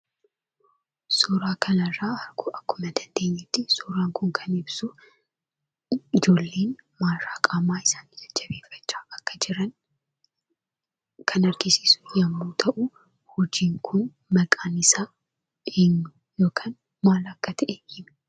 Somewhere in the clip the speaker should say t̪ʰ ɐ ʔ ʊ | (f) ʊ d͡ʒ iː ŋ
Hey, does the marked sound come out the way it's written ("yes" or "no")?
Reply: no